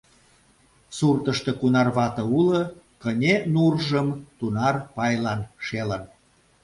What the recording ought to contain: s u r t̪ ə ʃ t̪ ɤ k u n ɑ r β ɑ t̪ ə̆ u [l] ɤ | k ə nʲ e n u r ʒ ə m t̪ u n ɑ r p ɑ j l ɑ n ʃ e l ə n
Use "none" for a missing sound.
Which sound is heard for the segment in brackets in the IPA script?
l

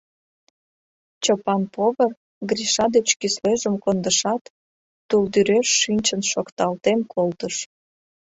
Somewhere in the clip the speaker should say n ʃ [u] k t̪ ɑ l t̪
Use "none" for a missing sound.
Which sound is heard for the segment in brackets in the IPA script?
o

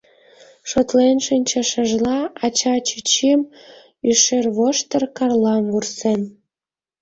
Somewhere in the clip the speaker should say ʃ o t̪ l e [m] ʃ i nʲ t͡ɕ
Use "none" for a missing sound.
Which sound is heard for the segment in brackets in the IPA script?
n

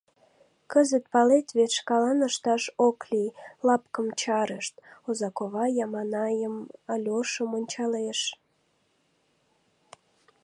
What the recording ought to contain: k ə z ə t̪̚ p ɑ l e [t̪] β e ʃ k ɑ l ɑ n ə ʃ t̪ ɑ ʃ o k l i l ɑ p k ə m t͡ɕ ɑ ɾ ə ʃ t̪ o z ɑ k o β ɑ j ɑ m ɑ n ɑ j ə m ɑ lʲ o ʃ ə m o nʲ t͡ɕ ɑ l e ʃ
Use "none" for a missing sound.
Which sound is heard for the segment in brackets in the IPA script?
t̪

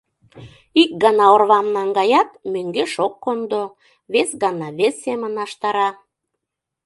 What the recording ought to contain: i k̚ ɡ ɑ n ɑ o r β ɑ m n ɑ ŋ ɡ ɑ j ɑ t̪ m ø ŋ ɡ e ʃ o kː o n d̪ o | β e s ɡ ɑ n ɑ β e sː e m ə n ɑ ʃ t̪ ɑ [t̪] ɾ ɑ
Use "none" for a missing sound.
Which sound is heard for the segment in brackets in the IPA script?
none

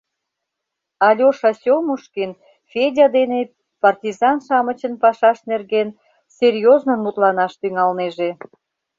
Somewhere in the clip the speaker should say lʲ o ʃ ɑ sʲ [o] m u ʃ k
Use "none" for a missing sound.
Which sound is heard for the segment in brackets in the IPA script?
o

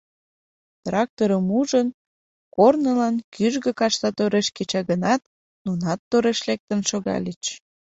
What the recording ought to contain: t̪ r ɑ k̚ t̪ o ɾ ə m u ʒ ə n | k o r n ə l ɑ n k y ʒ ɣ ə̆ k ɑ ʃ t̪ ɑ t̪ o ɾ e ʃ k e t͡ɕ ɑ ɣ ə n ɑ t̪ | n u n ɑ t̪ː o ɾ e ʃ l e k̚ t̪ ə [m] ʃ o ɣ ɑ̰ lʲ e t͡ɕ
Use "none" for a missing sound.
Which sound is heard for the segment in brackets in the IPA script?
n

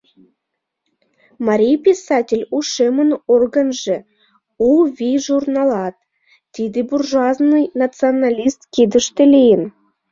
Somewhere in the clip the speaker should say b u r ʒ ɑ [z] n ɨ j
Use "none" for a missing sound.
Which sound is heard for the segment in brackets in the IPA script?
z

